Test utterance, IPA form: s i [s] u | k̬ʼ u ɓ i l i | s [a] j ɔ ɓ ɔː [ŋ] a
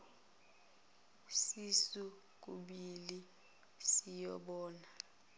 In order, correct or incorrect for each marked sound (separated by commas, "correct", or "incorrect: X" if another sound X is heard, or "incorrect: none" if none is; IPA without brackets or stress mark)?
correct, incorrect: i, incorrect: n